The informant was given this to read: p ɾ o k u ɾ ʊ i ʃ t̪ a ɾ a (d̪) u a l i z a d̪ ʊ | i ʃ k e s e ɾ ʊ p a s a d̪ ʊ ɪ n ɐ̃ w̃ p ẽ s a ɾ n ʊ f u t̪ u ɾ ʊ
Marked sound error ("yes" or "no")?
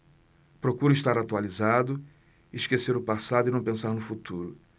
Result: yes